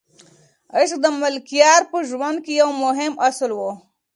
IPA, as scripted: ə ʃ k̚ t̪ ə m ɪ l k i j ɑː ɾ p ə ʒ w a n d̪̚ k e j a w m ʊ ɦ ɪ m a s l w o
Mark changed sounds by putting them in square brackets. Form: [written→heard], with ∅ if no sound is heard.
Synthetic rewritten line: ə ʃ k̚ [t̪→d̪] ə m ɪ l k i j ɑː ɾ p ə ʒ w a n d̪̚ k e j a w m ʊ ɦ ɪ m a s l w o